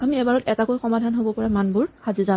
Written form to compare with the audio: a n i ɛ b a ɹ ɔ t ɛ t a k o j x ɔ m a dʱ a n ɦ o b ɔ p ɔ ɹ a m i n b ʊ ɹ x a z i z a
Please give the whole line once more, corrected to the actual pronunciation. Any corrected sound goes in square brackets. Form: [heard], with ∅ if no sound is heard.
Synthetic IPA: a [m] i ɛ b a ɹ ɔ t ɛ t a k o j x ɔ m a dʱ a n ɦ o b ɔ p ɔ ɹ a m [a] n b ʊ ɹ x a z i z a